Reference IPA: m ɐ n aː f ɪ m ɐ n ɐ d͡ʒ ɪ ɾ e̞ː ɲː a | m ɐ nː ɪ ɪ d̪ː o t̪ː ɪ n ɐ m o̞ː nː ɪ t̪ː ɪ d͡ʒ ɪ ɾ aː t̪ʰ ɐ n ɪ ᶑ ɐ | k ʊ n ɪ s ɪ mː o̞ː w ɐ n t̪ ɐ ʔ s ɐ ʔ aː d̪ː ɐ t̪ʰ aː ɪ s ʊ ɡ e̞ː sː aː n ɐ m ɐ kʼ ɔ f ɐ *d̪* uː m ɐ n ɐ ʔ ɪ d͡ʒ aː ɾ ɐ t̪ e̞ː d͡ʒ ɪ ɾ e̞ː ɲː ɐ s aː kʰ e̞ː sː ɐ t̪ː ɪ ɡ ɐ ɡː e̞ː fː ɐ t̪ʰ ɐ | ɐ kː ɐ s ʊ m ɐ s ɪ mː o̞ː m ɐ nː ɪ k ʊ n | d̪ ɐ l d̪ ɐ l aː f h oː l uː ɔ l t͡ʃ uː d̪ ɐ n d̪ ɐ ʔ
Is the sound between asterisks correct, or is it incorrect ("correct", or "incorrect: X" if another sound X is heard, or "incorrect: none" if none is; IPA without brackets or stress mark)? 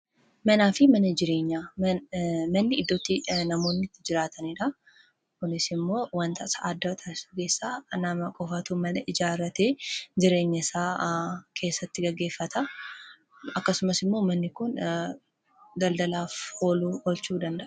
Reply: incorrect: t̪